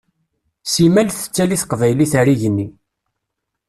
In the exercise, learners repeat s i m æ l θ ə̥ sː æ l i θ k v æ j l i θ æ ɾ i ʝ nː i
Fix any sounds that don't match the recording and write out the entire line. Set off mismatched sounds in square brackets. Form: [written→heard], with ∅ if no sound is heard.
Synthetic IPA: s i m æ l θ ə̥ [sː→t͡sː] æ l i θ [k→q] v æ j l i θ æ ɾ i ʝ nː i